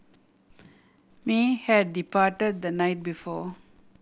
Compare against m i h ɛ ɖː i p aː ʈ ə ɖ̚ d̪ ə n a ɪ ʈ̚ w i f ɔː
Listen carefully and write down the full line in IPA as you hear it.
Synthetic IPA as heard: m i h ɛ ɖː i p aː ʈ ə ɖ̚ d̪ ə n a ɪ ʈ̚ b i f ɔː